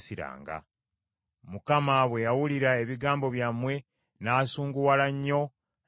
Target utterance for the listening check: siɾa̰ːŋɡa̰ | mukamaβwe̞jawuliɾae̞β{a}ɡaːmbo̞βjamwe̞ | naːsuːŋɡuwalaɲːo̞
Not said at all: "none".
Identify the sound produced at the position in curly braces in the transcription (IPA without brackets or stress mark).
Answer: i